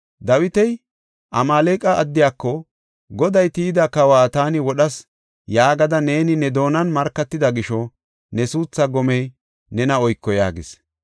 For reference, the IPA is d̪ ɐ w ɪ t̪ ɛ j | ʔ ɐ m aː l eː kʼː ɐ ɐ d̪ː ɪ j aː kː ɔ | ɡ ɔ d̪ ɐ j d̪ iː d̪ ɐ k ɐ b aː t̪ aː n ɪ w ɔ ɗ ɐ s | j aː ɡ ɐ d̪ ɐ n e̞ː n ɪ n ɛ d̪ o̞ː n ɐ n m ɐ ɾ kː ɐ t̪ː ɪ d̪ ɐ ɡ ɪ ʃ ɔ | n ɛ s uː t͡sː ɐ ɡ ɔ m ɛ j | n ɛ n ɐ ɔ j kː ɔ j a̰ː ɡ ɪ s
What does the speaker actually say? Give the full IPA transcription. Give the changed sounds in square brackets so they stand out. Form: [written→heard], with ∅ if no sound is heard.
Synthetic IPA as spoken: d̪ ɐ w ɪ t̪ ɛ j | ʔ ɐ m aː l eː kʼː ɐ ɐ d̪ː ɪ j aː kː ɔ | ɡ ɔ d̪ ɐ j [d̪→t̪] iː d̪ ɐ k ɐ [b→w] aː t̪ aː n ɪ w ɔ ɗ ɐ s | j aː ɡ ɐ d̪ ɐ n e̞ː n ɪ n ɛ d̪ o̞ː n ɐ n m ɐ ɾ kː ɐ t̪ː ɪ d̪ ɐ ɡ ɪ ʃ ɔ | n ɛ s uː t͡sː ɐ ɡ ɔ m ɛ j | n ɛ n ɐ ɔ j kː ɔ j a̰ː ɡ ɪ s